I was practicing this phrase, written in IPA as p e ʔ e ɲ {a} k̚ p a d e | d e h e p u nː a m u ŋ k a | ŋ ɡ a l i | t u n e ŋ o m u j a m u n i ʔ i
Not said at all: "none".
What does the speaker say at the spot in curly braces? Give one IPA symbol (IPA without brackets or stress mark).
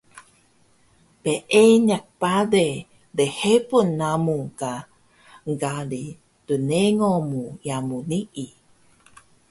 a